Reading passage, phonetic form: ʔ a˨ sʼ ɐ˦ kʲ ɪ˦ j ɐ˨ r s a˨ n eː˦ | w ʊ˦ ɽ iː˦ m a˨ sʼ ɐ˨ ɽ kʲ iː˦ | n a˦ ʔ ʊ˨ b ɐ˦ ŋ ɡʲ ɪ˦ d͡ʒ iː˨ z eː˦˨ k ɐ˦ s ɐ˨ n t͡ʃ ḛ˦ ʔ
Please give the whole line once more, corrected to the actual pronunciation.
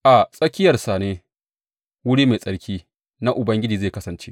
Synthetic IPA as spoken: ʔ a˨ sʼ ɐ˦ kʲ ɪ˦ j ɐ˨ r s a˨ n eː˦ | w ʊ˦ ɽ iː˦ m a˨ sʼ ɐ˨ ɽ kʲ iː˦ | n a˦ ʔ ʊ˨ b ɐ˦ ŋ ɡʲ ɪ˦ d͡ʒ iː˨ z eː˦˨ k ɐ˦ s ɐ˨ n t͡ʃ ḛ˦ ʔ

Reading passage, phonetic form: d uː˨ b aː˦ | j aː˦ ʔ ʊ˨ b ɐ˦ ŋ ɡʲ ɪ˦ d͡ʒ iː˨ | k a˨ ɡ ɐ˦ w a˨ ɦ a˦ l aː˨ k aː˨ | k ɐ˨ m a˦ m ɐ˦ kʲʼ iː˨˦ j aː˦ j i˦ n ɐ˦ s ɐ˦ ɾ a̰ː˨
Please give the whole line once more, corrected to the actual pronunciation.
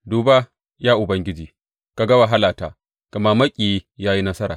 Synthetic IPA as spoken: d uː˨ b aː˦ | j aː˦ ʔ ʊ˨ b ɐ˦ ŋ ɡʲ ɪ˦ d͡ʒ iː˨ | k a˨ ɡ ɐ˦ w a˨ ɦ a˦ l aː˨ t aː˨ | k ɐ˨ m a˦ m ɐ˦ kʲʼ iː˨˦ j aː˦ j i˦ n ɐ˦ s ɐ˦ ɾ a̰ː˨

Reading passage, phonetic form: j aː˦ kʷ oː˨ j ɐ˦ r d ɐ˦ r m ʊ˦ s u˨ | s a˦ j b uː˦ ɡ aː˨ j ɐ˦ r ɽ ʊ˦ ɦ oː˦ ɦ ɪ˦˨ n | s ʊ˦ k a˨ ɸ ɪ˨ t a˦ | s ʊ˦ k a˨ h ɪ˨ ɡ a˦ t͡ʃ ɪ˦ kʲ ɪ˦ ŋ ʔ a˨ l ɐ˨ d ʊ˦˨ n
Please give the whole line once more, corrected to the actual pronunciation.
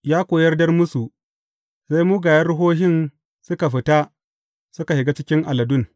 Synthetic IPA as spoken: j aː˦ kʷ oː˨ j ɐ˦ r d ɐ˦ r m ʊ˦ s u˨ | s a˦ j m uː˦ ɡ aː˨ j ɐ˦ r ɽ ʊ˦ ɦ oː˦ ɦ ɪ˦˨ n | s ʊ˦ k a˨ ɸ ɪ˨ t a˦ | s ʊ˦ k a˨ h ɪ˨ ɡ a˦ t͡ʃ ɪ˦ kʲ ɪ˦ ŋ ʔ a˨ l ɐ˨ d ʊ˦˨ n

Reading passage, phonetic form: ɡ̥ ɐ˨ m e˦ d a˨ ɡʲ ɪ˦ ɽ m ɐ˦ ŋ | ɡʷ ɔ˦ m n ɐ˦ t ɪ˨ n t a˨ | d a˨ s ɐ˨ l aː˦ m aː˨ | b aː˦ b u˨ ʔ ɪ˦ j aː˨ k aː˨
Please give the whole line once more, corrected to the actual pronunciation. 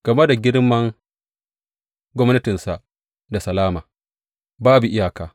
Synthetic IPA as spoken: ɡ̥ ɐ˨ m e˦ d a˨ ɡʲ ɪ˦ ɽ m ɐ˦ ŋ | ɡʷ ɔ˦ m n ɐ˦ t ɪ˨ n s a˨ | d a˨ s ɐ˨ l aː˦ m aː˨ | b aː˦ b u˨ ʔ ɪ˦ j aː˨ k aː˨

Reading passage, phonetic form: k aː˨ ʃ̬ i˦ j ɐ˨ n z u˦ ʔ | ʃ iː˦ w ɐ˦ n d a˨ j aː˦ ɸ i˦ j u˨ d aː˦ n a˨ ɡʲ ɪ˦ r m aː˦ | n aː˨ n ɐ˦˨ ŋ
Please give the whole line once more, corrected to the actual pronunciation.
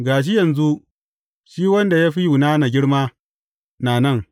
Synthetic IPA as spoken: ɡ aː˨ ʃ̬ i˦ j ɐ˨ n z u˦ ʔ | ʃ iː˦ w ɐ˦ n d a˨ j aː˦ ɸ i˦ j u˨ n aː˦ n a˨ ɡʲ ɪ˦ ɽ m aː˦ | n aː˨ n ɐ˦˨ ŋ

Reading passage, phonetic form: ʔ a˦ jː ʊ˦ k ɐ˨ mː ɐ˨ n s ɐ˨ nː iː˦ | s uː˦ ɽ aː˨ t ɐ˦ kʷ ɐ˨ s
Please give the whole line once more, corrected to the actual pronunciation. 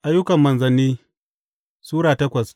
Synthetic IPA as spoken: ʔ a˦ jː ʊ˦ k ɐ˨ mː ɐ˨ n z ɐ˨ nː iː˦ | s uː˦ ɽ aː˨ t ɐ˦ kʷ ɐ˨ s

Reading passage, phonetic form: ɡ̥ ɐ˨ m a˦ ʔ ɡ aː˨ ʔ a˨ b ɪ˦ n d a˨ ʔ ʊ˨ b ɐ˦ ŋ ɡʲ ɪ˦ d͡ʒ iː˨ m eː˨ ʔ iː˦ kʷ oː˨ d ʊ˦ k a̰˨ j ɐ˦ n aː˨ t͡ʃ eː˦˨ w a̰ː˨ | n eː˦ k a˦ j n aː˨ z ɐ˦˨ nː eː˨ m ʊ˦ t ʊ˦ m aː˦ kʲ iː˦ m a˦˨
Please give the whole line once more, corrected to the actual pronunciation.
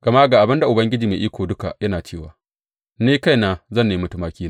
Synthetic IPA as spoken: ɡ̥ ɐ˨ m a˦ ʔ ɡ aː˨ ʔ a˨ b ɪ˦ n d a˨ ʔ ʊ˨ b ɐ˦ ŋ ɡʲ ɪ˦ d͡ʒ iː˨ m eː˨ ʔ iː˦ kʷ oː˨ d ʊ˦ k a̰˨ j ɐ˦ n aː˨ t͡ʃ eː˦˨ w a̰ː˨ | n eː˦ k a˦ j n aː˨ z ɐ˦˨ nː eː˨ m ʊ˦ t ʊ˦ m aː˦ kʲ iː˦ n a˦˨

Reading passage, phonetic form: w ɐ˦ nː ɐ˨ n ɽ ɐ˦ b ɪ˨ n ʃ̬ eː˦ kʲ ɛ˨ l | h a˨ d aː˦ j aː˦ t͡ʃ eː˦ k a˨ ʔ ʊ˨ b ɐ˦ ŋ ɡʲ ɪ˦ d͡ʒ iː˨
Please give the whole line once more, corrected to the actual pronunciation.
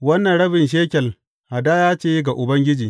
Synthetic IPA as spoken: w ɐ˦ nː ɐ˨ n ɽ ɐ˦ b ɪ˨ n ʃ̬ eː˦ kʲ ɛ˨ l | h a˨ d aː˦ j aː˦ t͡ʃ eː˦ ɡ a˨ ʔ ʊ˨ b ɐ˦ ŋ ɡʲ ɪ˦ d͡ʒ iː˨

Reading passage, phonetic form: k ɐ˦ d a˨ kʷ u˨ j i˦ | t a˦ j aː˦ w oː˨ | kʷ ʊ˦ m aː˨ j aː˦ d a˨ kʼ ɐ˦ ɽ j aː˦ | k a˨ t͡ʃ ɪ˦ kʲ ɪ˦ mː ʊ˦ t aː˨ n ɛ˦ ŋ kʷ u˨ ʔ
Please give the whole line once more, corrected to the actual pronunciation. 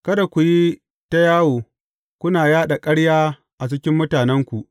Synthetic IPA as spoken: k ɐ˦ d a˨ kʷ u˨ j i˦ | t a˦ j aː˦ w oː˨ | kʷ ʊ˦ n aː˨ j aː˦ ɗ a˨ kʼ ɐ˦ ɽ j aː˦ | ʔ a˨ t͡ʃ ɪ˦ kʲ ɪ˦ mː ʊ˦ t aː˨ n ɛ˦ ŋ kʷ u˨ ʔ

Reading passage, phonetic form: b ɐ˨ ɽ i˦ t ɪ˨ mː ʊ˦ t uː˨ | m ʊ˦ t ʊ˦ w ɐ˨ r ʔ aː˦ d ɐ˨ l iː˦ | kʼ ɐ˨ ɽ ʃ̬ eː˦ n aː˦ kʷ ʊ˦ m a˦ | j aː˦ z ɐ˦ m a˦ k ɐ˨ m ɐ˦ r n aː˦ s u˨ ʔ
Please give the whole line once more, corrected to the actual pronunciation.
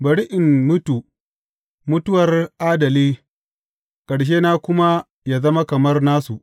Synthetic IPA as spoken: b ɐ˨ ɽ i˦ ʔ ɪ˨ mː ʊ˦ t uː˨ | m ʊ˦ t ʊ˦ w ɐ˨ r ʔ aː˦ d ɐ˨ l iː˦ | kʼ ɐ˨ ɽ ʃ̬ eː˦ n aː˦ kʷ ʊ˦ m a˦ | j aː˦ z ɐ˦ m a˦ k ɐ˨ m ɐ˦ r n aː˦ s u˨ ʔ

